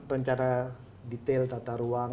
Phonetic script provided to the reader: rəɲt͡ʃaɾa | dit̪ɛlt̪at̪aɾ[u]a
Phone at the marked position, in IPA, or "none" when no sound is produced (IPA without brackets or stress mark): u